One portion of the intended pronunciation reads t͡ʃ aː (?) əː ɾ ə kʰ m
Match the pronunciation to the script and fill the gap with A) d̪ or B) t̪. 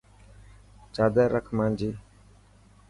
A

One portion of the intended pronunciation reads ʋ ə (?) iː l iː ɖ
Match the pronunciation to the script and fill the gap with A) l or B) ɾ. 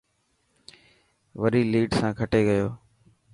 B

